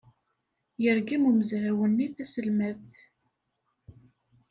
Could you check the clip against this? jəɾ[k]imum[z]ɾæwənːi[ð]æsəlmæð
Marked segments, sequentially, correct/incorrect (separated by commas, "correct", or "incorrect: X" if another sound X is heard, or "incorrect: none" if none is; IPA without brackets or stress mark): incorrect: ɡ, correct, incorrect: θ